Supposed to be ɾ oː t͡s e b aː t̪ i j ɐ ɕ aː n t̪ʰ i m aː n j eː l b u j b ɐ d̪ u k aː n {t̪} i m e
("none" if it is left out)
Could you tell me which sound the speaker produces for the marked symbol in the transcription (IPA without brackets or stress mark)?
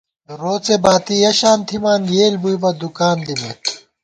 d̪